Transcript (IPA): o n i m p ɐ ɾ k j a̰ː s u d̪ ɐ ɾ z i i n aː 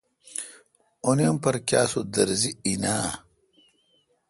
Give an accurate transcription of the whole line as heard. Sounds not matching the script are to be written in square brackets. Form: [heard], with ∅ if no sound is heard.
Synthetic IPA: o n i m p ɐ ɾ k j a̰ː s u d̪ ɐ ɾ z i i n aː